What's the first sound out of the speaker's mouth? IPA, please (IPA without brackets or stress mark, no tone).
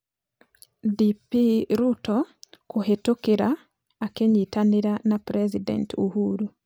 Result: d